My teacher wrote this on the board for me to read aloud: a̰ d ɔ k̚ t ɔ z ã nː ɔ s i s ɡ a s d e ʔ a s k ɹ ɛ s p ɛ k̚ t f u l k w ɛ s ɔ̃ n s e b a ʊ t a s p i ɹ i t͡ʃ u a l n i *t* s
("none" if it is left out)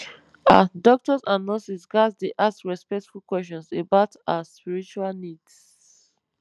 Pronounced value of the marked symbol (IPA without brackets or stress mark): d